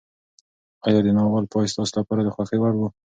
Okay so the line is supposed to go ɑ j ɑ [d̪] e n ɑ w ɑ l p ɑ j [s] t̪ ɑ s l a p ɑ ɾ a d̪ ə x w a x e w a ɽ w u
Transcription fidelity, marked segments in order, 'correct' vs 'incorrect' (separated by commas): correct, correct